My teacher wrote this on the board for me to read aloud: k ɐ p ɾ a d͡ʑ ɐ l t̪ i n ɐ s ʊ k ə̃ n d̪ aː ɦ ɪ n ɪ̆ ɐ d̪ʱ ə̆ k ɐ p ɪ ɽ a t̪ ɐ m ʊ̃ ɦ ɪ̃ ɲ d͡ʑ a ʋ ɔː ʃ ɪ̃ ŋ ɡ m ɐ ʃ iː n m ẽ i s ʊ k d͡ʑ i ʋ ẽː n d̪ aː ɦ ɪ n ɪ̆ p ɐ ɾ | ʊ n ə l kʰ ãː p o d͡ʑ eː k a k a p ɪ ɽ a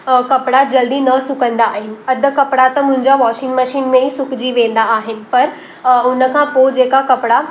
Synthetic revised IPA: k ɐ p ɽ a d͡ʑ ɐ l d̪ i n ɐ s ʊ k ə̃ n d̪ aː ɦ ɪ n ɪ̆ ɐ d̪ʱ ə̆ k ɐ p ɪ ɽ a t̪ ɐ m ʊ̃ ɦ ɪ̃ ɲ d͡ʑ a ʋ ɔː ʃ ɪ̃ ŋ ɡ m ɐ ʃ iː n m ẽ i s ʊ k d͡ʑ i ʋ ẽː n d̪ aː ɦ ɪ n ɪ̆ p ɐ ɾ | ʊ n ə kʰ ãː p o d͡ʑ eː k a k ɐ p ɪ ɽ a